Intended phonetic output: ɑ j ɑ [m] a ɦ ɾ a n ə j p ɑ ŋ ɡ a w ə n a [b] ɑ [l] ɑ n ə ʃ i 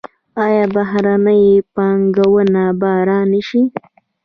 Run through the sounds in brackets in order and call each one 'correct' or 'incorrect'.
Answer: incorrect: b, correct, incorrect: ɾ

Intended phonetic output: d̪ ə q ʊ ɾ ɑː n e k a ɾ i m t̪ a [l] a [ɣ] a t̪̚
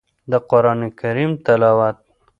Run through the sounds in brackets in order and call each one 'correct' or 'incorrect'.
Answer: correct, incorrect: w

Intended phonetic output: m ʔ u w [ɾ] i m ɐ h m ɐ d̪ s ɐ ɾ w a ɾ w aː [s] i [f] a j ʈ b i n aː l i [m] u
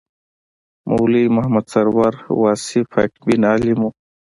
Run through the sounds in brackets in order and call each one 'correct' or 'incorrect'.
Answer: incorrect: l, correct, correct, correct

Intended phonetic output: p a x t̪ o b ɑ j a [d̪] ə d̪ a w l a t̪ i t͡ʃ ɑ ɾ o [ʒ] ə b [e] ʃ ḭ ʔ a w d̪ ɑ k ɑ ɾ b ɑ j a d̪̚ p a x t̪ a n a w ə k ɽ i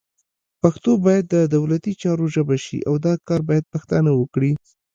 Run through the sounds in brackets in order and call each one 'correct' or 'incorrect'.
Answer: incorrect: d̪ː, correct, incorrect: a

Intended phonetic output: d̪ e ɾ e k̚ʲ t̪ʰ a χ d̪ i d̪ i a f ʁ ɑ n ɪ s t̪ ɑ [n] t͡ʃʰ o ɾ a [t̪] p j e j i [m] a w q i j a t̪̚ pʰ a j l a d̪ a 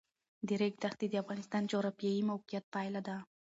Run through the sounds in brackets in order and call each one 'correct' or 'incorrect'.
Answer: correct, incorrect: none, correct

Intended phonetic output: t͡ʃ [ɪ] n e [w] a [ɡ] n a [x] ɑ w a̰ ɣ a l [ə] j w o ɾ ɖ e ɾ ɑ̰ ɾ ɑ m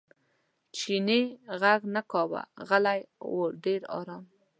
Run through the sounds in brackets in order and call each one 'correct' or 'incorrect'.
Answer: incorrect: i, incorrect: ɣ, correct, incorrect: k, incorrect: a

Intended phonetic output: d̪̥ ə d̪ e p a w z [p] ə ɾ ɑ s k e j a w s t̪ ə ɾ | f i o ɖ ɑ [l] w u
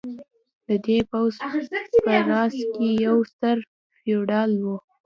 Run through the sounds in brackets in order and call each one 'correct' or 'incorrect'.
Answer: correct, correct

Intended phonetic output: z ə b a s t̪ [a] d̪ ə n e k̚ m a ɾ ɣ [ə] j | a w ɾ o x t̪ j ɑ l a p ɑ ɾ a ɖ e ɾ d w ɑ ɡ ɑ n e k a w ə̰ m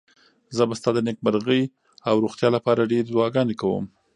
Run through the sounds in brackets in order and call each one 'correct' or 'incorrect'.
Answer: incorrect: ɑ, correct

